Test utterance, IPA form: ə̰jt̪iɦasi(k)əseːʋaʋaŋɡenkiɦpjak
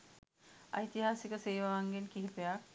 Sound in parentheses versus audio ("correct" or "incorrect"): correct